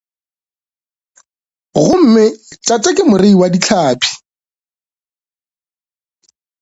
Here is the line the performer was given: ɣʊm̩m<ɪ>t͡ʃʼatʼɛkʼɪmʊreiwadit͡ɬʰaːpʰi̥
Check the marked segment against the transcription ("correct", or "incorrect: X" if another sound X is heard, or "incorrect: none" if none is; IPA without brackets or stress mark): correct